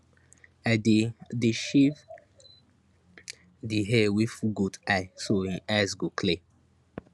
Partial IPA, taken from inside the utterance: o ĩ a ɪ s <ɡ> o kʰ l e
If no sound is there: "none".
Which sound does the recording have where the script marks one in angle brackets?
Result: ɡ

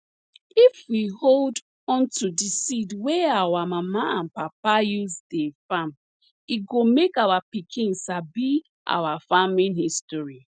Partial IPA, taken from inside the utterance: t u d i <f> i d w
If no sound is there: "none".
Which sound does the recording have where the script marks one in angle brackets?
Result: s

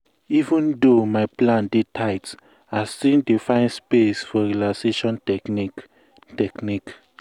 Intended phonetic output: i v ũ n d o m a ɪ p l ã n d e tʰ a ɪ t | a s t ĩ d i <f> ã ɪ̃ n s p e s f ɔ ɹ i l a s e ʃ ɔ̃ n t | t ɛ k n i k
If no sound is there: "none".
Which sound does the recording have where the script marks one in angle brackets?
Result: f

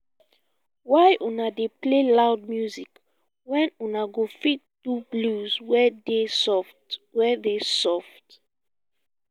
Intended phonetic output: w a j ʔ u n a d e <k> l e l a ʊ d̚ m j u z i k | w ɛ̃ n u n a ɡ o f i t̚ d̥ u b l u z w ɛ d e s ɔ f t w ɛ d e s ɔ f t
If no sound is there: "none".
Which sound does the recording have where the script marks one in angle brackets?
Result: p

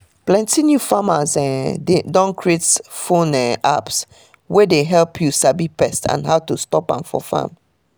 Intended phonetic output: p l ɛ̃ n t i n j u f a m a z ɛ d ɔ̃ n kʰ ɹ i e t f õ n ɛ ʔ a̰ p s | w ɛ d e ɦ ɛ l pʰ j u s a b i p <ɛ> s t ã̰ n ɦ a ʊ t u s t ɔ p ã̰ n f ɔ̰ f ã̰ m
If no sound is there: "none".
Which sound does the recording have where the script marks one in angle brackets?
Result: ɛ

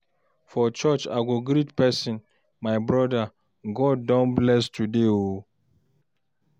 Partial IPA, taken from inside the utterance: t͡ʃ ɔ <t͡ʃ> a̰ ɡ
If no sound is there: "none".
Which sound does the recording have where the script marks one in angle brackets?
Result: t͡ʃ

